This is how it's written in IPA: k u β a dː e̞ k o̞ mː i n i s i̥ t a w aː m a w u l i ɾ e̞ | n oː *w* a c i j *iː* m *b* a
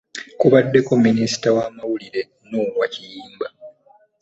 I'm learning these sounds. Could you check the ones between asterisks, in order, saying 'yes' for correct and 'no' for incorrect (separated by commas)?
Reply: yes, yes, yes